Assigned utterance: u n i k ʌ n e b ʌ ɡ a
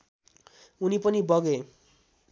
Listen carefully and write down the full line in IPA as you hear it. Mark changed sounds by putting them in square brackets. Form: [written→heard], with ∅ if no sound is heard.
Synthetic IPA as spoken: u n i [k→p] ʌ n [e→i] b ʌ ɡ [a→e]